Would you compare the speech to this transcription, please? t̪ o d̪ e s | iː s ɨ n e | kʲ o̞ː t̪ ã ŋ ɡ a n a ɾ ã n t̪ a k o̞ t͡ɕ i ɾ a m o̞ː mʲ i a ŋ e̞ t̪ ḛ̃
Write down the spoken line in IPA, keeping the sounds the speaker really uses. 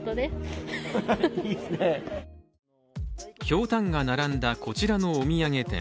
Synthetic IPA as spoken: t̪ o d̪ e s | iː s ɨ n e | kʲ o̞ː t̪ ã ŋ ɡ a n a ɾ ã n d̪ a k o̞ t͡ɕ i ɾ a n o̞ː mʲ i a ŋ e̞ t̪ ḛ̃